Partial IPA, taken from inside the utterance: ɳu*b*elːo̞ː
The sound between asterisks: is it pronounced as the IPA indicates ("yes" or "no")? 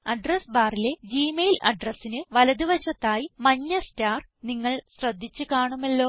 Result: no